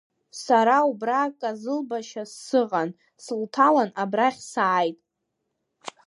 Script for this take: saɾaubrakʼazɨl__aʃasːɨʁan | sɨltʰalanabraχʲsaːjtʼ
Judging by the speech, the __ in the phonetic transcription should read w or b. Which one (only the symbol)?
b